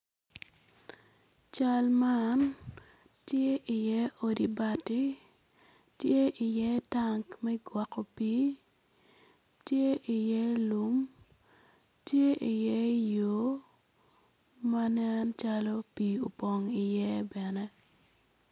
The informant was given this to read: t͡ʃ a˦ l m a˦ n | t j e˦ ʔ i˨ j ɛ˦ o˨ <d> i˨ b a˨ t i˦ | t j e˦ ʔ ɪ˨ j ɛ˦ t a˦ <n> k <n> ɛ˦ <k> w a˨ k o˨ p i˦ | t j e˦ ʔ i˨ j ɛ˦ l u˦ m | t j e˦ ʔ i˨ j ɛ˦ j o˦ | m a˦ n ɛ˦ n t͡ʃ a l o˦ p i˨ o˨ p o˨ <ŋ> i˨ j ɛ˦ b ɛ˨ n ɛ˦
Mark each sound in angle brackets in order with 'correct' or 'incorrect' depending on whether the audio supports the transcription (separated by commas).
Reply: correct, incorrect, incorrect, incorrect, correct